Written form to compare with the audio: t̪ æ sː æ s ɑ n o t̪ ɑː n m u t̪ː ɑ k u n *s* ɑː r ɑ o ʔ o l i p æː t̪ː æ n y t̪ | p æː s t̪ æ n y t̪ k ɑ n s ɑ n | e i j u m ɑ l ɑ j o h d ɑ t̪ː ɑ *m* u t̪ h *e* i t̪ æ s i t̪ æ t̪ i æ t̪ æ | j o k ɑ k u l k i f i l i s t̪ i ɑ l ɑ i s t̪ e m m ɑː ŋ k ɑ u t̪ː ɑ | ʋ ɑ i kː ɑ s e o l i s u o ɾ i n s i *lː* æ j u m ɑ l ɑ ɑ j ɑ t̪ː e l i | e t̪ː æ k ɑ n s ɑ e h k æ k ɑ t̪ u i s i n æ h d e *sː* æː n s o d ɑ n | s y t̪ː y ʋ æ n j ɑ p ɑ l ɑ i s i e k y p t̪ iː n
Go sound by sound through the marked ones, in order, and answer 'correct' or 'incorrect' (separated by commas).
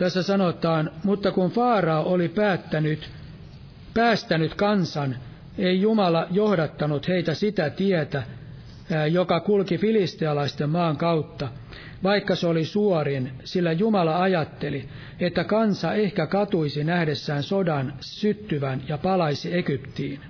incorrect, incorrect, correct, correct, correct